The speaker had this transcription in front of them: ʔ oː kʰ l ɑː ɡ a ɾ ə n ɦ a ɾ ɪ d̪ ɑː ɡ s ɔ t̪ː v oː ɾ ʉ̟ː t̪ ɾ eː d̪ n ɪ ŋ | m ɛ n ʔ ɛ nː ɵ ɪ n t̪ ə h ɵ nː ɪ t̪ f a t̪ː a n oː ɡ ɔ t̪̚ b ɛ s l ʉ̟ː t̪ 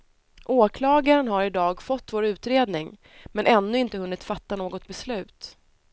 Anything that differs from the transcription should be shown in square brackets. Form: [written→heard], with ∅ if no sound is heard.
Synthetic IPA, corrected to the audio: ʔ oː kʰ l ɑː ɡ a ɾ ə n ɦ a ɾ ɪ d̪ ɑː ɡ [s→f] ɔ t̪ː v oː ɾ ʉ̟ː t̪ ɾ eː d̪ n ɪ ŋ | m ɛ n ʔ ɛ nː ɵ ɪ n t̪ ə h ɵ nː ɪ t̪ f a t̪ː a n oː ɡ ɔ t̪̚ b ɛ s l ʉ̟ː t̪